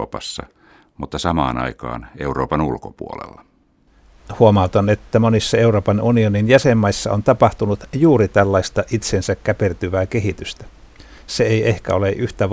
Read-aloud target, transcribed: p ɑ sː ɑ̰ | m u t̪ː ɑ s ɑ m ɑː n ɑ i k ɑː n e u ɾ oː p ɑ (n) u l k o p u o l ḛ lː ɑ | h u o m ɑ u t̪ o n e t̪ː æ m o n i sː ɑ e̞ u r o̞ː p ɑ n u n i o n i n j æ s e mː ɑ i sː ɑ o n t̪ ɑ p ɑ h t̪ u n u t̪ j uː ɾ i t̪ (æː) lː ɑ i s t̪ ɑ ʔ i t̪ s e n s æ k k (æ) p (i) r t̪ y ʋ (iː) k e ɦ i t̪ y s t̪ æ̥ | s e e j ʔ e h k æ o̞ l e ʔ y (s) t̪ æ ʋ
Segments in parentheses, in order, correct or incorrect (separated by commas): correct, incorrect, correct, incorrect, incorrect, incorrect